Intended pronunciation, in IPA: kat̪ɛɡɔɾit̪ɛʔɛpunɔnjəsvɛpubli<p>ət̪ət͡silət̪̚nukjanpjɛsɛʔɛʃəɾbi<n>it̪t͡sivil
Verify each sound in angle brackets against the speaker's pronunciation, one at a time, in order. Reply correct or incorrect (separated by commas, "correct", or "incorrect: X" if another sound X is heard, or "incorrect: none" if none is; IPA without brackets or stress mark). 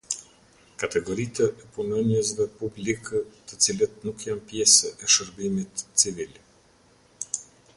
incorrect: k, incorrect: m